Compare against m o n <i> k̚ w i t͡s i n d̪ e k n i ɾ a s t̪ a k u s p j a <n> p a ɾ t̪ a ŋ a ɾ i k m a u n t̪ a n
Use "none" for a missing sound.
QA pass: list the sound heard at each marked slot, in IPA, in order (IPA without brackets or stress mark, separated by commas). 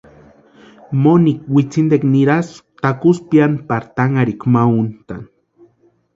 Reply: i, n